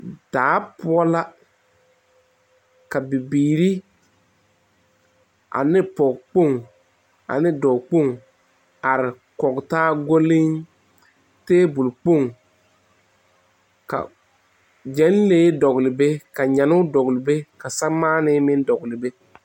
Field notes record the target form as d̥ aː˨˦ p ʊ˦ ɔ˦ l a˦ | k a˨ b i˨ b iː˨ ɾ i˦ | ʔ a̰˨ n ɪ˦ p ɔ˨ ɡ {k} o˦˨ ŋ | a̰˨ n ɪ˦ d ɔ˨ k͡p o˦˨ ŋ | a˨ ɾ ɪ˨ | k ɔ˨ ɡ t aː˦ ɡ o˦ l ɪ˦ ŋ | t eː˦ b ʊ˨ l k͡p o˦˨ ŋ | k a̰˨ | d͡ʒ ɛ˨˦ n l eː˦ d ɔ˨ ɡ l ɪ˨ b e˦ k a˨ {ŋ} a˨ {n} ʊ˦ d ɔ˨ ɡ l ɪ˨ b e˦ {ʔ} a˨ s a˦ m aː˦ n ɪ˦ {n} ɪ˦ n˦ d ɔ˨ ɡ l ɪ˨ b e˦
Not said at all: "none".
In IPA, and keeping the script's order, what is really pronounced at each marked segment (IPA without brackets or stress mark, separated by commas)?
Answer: k͡p, ɲ, n, k, m